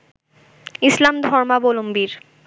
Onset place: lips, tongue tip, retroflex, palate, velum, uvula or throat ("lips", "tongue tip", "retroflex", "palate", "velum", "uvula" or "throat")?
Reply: tongue tip